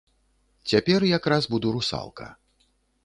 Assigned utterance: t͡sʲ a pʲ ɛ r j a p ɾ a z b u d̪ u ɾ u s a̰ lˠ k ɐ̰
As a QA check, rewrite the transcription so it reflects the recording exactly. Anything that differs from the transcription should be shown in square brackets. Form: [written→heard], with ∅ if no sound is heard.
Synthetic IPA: t͡sʲ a pʲ ɛ r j a [p→k] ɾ a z b u d̪ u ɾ u s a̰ lˠ k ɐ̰